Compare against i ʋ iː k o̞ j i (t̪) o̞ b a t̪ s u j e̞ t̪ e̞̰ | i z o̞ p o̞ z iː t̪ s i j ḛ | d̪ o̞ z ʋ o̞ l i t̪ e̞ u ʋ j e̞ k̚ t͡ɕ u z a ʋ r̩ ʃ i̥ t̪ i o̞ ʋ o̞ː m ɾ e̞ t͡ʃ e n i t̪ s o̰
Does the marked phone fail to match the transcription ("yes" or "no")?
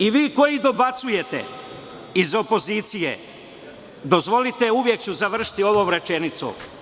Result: yes